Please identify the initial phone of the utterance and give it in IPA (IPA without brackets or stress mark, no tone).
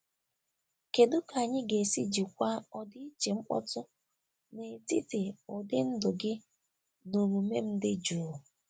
k